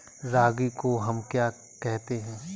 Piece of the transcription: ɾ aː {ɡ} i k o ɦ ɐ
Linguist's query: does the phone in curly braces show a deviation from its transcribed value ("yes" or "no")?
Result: no